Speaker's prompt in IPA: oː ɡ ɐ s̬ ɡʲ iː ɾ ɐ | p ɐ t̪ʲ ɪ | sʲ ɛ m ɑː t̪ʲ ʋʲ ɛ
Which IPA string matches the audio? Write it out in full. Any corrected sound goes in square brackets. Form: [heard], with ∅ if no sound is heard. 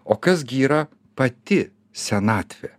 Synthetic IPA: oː [k] ɐ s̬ ɡʲ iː ɾ ɐ | p ɐ t̪ʲ ɪ | sʲ ɛ [n] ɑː t̪ʲ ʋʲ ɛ